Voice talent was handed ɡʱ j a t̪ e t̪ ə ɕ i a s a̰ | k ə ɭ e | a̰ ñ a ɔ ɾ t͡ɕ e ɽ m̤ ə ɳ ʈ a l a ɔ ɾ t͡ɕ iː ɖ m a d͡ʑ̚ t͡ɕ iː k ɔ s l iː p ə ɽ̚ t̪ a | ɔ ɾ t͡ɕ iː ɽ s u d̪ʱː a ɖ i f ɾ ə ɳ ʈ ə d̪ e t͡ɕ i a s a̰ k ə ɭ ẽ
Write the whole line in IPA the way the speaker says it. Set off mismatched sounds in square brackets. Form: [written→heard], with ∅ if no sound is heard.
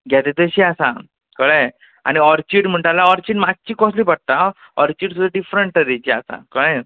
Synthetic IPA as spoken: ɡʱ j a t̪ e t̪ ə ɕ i a s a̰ | k ə ɭ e | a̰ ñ [a→i] ɔ ɾ t͡ɕ [e→i] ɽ m̤ ə ɳ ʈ a l a ɔ ɾ t͡ɕ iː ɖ m a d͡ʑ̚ t͡ɕ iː k ɔ s l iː p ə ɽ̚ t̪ a | ɔ ɾ t͡ɕ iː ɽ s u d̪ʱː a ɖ i f ɾ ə ɳ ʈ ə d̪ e t͡ɕ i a s a̰ k ə ɭ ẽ